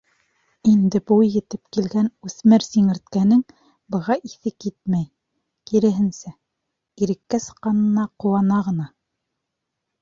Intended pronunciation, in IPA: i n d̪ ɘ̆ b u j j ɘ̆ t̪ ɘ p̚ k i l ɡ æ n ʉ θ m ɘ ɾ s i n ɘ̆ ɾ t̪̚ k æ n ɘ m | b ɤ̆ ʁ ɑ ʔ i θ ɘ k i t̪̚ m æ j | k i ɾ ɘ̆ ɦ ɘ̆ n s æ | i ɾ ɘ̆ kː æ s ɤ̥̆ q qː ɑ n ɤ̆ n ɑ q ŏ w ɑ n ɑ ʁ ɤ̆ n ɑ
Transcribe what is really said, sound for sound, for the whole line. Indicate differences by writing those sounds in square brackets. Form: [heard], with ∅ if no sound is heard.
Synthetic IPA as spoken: i n d̪ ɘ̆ b u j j ɘ̆ t̪ ɘ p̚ k i l ɡ æ n ʉ θ m ɘ ɾ s i [ŋ] ɘ̆ ɾ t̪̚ k æ n ɘ [ŋ] | b ɤ̆ ʁ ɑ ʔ i θ ɘ k i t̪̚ m æ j | k i ɾ ɘ̆ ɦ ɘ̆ n s æ | i ɾ ɘ̆ kː æ s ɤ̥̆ q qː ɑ n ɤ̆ n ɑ q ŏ w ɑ n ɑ ʁ ɤ̆ n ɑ